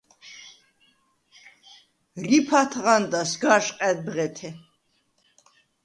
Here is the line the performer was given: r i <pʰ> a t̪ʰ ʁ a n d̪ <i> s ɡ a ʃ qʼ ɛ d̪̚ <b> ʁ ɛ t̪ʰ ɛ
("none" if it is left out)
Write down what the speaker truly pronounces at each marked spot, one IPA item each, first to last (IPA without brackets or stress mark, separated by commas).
pʰ, a, b